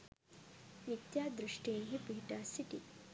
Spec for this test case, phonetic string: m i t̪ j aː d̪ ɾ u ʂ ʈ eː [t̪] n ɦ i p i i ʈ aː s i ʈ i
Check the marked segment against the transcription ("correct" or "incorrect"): incorrect